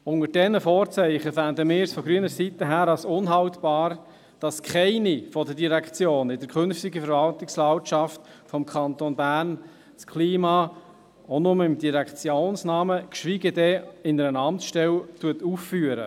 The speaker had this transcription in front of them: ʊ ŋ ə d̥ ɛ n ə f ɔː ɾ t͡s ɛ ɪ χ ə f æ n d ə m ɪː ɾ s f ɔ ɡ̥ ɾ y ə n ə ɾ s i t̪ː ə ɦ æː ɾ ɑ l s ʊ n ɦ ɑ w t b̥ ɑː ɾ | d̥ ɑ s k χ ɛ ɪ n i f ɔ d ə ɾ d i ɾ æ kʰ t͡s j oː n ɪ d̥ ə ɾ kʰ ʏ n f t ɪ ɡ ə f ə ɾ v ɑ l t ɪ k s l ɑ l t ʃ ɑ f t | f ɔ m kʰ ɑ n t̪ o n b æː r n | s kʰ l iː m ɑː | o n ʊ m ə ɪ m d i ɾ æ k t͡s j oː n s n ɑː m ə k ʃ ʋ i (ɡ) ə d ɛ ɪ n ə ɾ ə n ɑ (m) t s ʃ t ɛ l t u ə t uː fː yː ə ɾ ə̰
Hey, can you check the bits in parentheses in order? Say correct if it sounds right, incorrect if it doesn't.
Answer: correct, correct

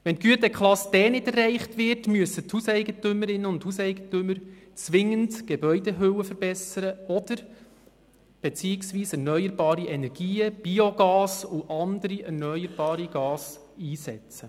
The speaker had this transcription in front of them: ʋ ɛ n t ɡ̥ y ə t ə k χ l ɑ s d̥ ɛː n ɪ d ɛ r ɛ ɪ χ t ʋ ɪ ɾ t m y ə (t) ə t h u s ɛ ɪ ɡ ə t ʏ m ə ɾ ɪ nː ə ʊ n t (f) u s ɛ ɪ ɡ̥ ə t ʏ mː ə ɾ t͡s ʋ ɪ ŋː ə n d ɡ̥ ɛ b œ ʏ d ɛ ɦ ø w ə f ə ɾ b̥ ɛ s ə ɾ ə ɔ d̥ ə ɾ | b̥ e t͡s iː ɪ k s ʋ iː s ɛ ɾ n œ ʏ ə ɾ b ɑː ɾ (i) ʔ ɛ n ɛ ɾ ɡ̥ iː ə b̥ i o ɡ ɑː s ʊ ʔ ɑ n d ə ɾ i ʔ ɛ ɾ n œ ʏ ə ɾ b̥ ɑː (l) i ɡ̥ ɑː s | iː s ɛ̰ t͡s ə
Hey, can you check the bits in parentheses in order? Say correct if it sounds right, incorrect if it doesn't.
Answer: incorrect: s, incorrect: h, correct, incorrect: ɾ

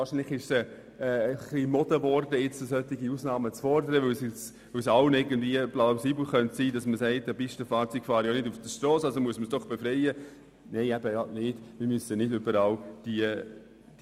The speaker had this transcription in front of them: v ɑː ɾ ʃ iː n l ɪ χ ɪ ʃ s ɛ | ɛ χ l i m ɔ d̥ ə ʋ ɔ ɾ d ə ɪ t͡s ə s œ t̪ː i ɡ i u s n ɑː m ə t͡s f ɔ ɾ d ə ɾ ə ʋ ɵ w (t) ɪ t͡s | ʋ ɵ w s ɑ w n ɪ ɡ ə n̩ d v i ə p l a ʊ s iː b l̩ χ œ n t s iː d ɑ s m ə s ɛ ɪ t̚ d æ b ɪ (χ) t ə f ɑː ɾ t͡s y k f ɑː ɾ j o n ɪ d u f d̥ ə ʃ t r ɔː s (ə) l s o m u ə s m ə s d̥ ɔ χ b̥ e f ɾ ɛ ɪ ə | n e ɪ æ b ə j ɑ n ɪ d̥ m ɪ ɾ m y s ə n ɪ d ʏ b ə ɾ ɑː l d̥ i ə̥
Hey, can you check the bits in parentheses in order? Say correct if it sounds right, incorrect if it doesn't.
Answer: incorrect: s, incorrect: ʃ, incorrect: ɑ

